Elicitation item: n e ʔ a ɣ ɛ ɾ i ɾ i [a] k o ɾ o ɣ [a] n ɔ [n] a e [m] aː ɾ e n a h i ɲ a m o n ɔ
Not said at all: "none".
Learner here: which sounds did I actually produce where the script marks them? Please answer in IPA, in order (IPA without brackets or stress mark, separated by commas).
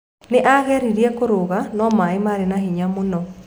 ɛ, a, m, m